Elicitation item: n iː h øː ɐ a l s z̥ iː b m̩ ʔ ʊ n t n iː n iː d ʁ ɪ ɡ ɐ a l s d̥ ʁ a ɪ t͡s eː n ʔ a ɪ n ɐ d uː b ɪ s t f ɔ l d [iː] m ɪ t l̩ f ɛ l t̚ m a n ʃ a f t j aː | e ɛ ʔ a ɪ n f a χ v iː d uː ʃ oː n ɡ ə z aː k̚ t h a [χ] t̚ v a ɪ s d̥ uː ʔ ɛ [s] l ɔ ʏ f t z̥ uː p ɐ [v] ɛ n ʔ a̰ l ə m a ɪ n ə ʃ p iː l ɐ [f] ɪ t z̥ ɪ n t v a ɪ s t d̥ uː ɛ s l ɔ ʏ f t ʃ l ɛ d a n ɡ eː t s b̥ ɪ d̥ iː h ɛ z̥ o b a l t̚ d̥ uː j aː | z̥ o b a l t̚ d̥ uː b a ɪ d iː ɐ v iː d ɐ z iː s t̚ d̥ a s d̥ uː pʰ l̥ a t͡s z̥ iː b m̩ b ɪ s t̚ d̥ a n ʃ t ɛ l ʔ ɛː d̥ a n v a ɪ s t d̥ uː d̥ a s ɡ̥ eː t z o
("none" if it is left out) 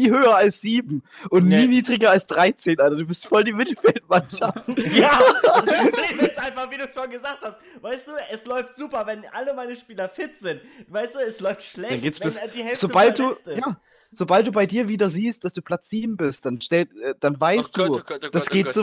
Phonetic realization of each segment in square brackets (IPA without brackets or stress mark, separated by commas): iː, s, s, v, f